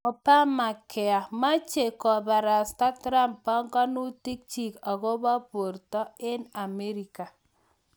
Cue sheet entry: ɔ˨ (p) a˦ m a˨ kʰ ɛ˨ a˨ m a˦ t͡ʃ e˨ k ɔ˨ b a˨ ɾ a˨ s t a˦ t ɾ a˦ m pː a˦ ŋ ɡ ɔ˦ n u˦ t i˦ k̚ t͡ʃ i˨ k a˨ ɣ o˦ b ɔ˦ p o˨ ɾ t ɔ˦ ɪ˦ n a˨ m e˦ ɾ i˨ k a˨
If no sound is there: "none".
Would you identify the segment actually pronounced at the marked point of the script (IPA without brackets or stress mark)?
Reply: p